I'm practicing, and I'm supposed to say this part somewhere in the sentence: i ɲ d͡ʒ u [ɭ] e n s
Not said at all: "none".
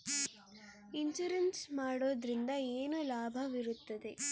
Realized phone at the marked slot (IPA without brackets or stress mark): ɾ